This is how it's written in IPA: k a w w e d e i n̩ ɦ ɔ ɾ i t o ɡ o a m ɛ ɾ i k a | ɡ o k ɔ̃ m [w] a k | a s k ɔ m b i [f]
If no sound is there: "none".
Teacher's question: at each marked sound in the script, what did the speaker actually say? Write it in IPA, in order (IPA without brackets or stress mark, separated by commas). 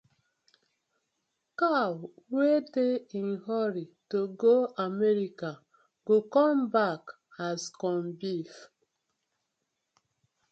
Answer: b, f